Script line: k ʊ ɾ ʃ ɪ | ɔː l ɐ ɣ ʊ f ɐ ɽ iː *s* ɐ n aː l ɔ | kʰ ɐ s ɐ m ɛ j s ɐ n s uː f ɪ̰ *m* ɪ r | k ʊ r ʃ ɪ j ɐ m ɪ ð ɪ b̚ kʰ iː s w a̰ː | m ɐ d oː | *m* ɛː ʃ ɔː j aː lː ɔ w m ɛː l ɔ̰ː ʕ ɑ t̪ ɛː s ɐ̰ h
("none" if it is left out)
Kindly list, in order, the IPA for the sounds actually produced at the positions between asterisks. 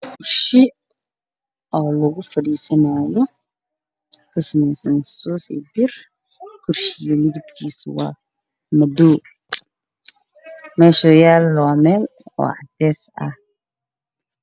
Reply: s, b, m

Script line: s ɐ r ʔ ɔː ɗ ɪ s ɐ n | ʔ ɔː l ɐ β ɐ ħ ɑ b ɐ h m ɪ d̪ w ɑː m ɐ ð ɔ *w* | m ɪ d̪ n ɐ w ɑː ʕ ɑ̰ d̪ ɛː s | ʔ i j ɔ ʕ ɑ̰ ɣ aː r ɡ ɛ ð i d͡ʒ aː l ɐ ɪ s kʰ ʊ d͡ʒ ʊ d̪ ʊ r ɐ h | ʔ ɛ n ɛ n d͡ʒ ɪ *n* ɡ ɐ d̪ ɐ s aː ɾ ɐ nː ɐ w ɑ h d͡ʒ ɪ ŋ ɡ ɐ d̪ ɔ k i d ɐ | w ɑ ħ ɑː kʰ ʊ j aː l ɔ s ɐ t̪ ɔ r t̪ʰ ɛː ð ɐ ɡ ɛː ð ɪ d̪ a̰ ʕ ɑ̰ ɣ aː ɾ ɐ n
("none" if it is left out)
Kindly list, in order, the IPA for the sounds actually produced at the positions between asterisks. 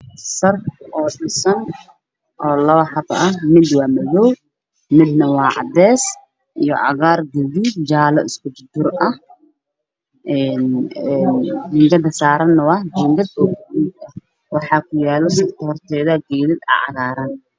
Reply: w, ŋ

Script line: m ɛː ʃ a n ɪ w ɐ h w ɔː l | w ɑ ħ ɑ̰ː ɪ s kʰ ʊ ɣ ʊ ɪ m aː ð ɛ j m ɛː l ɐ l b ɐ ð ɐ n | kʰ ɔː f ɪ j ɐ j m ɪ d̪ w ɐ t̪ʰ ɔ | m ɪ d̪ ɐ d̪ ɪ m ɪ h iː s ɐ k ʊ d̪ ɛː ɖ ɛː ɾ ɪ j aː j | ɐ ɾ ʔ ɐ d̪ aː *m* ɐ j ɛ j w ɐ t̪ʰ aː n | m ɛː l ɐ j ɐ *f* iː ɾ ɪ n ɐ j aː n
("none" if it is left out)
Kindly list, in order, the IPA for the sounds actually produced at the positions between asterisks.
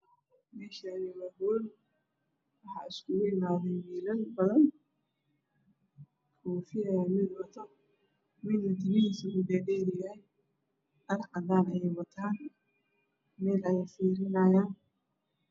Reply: n, f

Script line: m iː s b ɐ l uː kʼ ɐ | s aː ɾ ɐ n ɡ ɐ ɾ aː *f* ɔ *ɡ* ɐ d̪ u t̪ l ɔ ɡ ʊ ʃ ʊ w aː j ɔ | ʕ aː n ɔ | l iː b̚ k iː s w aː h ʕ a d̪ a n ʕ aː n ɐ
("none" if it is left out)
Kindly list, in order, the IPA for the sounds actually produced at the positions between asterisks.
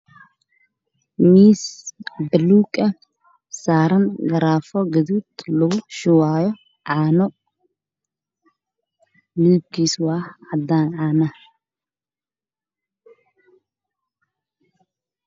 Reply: f, ɡ

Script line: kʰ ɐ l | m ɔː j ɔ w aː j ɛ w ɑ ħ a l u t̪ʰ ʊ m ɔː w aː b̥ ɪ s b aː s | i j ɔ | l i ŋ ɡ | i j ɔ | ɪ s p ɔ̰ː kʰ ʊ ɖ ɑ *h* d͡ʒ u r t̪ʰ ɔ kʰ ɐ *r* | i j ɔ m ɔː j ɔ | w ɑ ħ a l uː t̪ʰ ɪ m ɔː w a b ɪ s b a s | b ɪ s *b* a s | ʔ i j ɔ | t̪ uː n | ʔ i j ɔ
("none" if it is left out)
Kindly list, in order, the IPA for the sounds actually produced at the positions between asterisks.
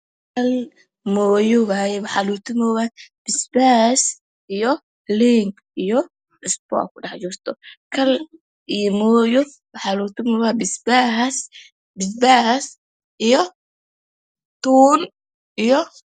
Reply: ħ, l, b

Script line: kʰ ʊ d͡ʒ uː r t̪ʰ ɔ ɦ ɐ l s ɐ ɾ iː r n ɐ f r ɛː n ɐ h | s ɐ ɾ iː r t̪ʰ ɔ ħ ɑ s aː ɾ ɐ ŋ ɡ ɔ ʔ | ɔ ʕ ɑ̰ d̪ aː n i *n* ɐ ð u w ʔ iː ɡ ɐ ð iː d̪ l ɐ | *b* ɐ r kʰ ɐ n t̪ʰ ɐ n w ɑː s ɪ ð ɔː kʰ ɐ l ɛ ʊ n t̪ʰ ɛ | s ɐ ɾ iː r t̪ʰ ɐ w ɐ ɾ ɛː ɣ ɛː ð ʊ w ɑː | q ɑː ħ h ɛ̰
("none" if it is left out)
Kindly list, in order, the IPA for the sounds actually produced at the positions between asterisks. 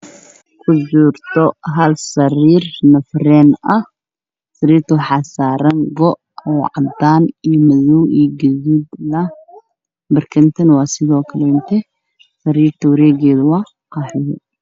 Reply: m, b

